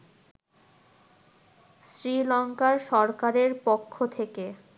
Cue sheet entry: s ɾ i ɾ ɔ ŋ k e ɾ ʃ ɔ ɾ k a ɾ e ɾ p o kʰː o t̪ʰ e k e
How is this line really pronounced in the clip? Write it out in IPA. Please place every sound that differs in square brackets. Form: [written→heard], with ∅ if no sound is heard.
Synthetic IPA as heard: s ɾ i [ɾ→l] ɔ ŋ k [e→a] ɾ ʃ ɔ ɾ k a ɾ e ɾ p o kʰː o t̪ʰ e k e